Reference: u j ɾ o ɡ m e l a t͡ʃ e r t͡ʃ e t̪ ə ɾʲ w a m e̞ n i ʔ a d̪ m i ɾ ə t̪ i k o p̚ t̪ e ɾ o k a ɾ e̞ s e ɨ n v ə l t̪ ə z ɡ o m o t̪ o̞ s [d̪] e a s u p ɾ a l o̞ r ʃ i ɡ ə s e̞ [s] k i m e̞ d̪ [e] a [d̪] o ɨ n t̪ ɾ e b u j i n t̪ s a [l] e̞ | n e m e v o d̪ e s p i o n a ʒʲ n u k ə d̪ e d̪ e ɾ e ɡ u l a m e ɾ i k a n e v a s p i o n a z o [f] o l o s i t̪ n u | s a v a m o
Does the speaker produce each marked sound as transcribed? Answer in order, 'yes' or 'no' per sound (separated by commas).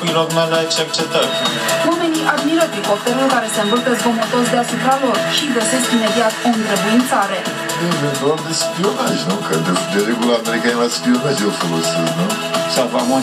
yes, yes, no, no, no, yes